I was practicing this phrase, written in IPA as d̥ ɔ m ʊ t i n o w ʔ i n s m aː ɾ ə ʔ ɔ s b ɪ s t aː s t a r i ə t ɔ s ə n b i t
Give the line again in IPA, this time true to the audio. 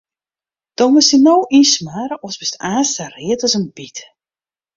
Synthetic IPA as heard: d̥ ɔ m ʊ s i n o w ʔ i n s m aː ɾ ə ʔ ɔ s b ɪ s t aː s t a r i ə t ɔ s ə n b i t